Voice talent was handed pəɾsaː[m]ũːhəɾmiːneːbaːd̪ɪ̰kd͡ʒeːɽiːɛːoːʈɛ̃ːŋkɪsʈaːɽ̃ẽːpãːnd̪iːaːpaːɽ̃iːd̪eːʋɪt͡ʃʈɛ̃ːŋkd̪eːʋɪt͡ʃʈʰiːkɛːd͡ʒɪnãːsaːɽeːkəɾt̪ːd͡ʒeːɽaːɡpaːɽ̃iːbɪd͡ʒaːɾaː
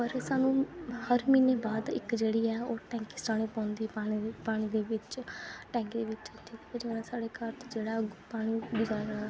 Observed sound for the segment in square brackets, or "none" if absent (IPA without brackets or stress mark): n